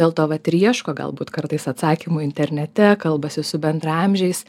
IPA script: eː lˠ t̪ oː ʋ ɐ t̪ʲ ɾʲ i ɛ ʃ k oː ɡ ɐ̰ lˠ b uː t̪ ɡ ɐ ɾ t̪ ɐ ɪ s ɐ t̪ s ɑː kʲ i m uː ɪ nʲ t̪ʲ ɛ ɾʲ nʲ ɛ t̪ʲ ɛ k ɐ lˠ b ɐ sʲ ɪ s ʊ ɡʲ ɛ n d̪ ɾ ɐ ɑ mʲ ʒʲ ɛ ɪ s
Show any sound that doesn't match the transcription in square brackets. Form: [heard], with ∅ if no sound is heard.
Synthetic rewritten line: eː lˠ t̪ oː ʋ ɐ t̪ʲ ɾʲ i ɛ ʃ k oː ɡ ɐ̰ lˠ b uː t̪ [k] ɐ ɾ t̪ ɐ ɪ s ɐ t̪ s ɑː kʲ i m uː ɪ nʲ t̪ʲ ɛ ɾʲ nʲ ɛ t̪ʲ ɛ k ɐ lˠ b ɐ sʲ ɪ s ʊ [bʲ] ɛ n d̪ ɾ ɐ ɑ mʲ ʒʲ ɛ ɪ s